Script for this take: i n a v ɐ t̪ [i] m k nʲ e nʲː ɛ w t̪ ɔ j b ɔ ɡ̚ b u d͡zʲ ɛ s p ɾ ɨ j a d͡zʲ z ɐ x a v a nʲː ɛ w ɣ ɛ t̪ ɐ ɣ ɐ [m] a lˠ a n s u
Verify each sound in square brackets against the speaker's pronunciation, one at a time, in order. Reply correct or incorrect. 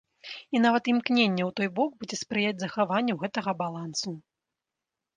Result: correct, incorrect

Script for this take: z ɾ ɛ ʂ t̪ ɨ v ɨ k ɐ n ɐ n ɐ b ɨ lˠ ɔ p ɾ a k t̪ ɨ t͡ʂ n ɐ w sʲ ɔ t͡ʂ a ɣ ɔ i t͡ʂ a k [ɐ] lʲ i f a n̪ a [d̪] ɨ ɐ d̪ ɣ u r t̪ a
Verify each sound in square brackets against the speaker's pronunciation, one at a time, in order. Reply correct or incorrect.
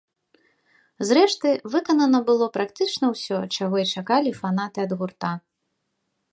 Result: incorrect, incorrect

